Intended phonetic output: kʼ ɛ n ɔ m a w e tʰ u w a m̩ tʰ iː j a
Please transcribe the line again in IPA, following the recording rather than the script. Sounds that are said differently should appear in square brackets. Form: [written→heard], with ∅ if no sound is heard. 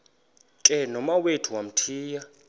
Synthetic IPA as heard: kʼ ɛ n ɔ m a w e tʰ u w a m̩ tʰ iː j a